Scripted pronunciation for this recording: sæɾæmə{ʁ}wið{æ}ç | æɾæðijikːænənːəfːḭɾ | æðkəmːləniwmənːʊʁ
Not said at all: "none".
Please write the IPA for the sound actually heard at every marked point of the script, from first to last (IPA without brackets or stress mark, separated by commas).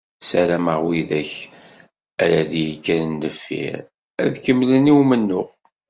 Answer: ʁ, æ